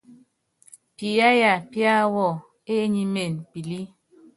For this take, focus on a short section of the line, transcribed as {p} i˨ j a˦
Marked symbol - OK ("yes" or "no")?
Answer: yes